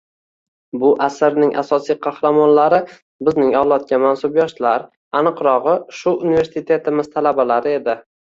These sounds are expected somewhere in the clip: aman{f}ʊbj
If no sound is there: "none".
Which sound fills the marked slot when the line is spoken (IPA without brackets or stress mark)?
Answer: s